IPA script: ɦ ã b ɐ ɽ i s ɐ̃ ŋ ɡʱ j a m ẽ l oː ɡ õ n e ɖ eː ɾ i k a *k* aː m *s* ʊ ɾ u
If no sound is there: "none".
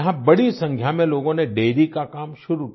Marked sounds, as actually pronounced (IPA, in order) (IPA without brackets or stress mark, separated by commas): k, ʃ